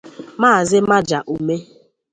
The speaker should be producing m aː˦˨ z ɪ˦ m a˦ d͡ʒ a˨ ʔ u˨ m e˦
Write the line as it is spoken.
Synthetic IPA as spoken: m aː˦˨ z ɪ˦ m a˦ d͡ʒ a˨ ʔ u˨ m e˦